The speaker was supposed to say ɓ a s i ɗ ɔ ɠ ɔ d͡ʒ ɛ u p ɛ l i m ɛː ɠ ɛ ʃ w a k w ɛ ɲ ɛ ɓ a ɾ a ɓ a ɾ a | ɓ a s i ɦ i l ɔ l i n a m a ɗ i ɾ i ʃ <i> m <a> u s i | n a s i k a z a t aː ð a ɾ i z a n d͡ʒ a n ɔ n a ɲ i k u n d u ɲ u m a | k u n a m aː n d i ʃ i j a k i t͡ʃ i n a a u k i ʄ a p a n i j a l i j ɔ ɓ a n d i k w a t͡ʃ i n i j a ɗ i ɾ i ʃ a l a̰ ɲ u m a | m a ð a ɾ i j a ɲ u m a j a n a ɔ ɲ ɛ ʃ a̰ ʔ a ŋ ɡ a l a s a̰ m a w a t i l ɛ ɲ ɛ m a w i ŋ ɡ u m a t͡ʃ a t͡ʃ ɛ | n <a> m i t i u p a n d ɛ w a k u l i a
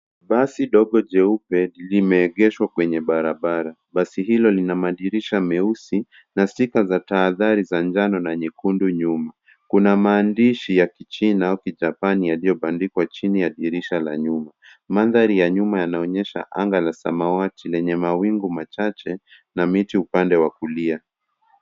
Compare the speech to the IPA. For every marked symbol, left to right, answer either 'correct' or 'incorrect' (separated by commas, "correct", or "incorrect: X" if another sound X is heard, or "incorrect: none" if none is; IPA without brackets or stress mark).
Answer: incorrect: a, incorrect: ɛ, correct